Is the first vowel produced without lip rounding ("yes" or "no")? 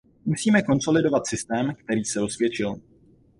no